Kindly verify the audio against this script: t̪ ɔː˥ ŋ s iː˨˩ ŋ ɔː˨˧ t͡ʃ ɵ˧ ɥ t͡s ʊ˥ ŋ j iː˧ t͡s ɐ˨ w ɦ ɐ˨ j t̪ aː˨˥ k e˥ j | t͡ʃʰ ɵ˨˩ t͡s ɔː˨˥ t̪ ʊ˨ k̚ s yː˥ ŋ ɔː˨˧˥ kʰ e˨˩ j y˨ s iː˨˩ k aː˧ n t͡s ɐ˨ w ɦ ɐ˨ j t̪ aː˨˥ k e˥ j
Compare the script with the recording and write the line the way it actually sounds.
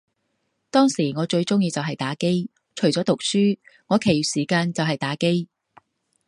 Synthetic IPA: t̪ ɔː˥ ŋ s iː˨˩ ŋ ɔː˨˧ t͡ʃ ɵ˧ ɥ t͡s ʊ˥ ŋ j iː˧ t͡s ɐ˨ w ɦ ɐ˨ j t̪ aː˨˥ k e˥ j | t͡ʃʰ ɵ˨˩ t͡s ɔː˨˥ t̪ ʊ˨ k̚ s yː˥ ŋ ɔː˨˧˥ kʰ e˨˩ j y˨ s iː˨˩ k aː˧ n t͡s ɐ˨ w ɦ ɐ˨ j t̪ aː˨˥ k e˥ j